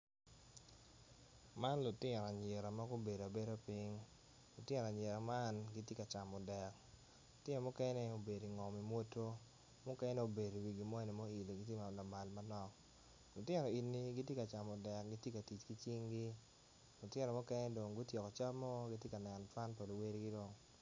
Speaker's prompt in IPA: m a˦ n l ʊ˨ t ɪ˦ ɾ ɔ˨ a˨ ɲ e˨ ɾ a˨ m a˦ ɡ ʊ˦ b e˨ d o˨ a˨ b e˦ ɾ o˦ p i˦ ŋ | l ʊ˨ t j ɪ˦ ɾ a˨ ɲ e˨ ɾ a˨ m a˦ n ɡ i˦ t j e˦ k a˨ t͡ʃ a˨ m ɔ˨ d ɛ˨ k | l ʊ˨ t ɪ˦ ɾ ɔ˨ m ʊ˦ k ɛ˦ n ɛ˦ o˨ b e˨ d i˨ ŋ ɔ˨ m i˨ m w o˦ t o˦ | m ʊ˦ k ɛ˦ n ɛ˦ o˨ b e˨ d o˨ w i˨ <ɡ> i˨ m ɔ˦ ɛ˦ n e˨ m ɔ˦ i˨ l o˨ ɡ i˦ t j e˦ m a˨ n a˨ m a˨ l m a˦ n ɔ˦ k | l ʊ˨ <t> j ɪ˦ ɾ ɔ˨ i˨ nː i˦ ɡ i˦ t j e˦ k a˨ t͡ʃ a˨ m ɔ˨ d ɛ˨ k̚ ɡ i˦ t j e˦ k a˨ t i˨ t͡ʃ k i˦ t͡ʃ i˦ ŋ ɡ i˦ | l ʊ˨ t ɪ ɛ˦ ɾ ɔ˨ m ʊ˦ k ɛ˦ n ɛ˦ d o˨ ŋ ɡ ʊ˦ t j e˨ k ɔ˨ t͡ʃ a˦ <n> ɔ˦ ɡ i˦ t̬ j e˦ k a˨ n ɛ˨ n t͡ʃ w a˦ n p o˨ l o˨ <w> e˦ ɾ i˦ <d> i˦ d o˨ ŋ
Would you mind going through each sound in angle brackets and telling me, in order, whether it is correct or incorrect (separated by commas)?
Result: correct, correct, incorrect, correct, incorrect